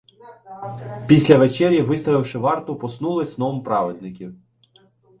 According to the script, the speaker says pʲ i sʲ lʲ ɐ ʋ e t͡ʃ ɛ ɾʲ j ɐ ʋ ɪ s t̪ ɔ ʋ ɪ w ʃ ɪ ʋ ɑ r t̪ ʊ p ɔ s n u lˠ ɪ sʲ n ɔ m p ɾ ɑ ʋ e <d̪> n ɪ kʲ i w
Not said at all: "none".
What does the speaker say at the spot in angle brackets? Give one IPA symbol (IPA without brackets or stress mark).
d̪